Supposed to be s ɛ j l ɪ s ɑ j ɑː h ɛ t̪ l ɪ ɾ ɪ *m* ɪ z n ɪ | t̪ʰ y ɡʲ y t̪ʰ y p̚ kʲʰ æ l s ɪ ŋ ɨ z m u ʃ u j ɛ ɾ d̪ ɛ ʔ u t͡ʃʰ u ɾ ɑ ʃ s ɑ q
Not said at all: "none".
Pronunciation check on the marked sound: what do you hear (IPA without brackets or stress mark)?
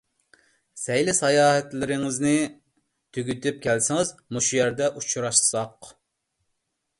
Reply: ŋ